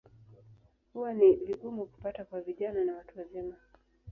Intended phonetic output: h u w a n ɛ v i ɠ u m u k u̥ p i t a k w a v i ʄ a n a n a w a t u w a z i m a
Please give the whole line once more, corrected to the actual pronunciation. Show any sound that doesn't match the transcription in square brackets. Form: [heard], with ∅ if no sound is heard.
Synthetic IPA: h u w a n [i] v i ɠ u m u k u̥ p [a] t a k w a v i ʄ a n a n a w a t u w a z i m a